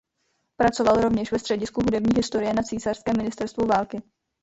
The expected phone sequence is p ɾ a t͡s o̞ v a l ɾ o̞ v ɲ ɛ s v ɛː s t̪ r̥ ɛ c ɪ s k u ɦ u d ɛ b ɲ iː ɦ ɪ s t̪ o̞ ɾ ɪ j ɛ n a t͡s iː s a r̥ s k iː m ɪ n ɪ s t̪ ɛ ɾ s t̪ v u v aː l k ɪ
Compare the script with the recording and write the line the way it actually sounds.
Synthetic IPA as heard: p ɾ a t͡s o̞ v a l ɾ o̞ v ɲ ɛ ʃ v ɛ s t̪ r̥ ɛ ɟ ɪ s k u ɦ u d ɛ b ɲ iː ɦ ɪ s t̪ o̞ ɾ ɪ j ɛ n a t͡s iː s a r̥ s k ɛː m ɪ n ɪ s t̪ ɛ ɾ s t̪ v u v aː l k ɪ